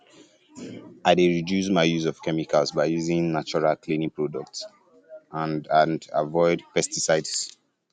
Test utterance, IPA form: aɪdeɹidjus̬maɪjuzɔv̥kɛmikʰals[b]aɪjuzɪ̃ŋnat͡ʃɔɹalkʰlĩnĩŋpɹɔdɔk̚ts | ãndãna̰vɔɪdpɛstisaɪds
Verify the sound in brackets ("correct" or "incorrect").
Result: correct